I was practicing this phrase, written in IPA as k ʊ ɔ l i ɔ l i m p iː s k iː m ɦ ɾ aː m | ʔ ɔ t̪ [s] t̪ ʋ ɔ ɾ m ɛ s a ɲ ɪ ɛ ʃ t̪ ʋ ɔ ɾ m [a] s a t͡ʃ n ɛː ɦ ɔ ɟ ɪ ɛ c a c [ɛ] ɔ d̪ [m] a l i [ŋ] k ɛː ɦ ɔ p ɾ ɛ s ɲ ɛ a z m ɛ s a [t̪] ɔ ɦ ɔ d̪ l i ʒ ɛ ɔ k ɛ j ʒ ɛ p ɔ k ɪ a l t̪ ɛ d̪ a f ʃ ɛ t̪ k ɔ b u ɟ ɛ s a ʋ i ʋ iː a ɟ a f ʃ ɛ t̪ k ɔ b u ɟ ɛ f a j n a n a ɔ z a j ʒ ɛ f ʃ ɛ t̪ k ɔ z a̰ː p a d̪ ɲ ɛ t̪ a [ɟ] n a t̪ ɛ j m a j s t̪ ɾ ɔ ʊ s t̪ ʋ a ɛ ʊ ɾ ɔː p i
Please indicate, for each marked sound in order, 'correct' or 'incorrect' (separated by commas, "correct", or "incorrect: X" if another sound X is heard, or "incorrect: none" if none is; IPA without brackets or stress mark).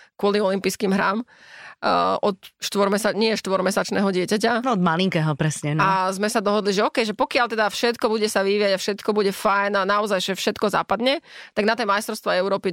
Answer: incorrect: ʃ, incorrect: ɛ, incorrect: a, correct, correct, incorrect: d̪, incorrect: ɡ